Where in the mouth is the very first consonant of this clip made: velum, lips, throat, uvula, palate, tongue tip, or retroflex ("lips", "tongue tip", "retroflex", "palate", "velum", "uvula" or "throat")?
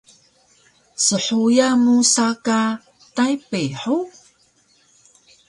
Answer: tongue tip